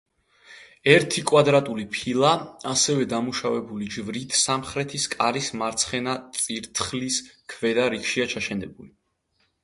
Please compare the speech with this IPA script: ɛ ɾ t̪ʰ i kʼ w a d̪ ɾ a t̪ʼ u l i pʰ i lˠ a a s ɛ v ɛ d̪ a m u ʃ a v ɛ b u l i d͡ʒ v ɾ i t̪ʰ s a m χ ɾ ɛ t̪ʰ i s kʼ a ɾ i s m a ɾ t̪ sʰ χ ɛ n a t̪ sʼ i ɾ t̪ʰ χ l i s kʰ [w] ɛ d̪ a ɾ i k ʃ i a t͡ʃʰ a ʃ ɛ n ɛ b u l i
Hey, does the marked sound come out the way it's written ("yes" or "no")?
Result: no